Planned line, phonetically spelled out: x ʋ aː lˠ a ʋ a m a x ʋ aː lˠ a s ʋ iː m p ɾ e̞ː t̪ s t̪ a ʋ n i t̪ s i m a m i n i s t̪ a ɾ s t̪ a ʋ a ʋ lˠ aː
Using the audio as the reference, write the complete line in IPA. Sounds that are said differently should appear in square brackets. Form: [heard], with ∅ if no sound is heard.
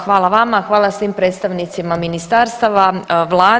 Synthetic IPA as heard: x ʋ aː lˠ a ʋ a m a x ʋ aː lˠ a s ʋ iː m p ɾ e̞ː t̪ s t̪ a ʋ n i t̪ s i m a m i n i s t̪ a ɾ s t̪ a ʋ a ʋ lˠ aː